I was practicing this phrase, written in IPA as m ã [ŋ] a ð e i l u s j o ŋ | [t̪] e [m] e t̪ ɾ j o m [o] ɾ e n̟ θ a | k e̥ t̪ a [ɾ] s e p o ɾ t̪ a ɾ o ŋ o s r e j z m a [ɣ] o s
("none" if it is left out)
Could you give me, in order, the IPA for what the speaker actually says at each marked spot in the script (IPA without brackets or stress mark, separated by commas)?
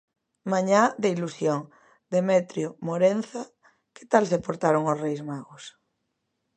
ɲ, d̪, m, o, l, ɣ